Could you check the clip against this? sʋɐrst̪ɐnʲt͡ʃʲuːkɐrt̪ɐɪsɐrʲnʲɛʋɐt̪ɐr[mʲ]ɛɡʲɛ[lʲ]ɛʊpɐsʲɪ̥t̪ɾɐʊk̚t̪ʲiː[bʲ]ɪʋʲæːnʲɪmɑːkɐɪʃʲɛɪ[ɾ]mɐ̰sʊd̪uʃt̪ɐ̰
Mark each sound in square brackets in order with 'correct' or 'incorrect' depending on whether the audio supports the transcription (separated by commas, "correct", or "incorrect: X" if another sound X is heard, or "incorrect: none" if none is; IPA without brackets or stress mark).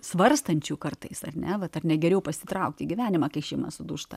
incorrect: nʲ, incorrect: ɾʲ, incorrect: ɡʲ, incorrect: none